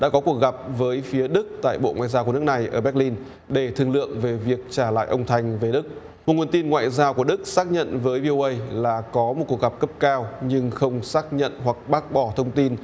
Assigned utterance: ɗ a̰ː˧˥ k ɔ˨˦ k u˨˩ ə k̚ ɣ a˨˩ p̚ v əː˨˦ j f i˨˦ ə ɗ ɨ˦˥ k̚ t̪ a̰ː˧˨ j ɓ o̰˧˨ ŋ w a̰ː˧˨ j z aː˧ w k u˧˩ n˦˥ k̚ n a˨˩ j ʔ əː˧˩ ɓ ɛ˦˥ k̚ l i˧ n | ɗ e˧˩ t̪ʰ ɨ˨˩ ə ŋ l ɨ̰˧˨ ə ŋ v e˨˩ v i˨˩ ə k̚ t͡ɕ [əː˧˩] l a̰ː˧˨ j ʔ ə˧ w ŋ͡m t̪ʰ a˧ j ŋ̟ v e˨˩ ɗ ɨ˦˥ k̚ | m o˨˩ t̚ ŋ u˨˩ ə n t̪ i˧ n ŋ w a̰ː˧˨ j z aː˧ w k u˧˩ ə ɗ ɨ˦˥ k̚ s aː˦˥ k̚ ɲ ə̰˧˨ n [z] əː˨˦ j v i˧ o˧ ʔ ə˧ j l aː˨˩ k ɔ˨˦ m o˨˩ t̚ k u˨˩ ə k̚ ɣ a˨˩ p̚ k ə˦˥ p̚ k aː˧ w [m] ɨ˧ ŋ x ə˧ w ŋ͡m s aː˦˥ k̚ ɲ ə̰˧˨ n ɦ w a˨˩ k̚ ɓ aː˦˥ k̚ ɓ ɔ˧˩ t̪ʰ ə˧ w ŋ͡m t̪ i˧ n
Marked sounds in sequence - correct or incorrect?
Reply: incorrect: aː˧˩, incorrect: v, incorrect: ɲ

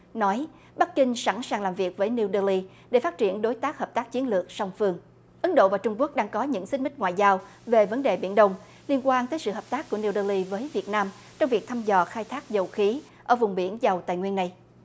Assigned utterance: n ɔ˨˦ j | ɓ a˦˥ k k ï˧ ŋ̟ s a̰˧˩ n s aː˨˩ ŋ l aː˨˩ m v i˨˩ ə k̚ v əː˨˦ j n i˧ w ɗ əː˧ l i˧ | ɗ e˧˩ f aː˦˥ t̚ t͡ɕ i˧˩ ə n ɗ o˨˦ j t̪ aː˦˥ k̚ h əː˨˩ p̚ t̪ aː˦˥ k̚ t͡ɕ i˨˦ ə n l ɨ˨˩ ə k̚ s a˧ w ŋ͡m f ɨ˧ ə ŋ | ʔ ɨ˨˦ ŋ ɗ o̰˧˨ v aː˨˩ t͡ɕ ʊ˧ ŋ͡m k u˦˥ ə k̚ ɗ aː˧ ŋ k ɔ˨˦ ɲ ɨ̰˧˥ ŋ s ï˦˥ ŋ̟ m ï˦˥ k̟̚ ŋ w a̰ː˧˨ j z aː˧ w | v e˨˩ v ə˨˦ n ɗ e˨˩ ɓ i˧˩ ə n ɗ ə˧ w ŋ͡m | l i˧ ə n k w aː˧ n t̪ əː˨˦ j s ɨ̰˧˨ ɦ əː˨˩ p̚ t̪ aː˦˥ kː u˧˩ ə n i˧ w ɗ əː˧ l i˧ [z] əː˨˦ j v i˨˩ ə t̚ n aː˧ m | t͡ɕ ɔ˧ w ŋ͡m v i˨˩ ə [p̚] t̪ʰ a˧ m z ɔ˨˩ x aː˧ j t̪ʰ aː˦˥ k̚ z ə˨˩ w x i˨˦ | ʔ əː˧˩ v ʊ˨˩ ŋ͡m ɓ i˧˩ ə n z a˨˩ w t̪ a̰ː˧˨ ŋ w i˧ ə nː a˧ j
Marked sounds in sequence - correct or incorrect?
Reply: incorrect: v, incorrect: k̚

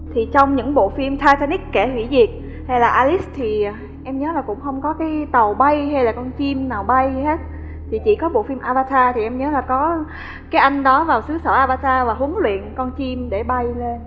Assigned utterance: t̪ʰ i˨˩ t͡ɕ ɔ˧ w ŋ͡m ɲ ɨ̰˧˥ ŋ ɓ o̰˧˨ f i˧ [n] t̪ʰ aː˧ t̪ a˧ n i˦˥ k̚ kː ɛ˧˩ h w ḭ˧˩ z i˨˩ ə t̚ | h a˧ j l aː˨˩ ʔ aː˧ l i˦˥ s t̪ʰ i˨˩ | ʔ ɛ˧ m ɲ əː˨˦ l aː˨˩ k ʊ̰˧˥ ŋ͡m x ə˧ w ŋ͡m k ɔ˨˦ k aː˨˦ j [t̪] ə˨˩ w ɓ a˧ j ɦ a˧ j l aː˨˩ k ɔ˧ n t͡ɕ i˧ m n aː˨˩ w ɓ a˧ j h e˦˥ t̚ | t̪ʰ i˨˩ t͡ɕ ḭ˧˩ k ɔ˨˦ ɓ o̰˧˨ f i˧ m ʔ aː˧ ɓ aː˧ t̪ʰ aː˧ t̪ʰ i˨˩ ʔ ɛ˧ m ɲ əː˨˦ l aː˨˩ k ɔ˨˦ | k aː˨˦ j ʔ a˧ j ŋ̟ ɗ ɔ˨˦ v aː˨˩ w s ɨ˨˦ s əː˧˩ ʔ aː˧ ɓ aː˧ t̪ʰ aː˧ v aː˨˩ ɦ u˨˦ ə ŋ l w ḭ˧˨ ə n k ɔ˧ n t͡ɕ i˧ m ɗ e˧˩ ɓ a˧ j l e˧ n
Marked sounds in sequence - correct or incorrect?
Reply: incorrect: m, correct

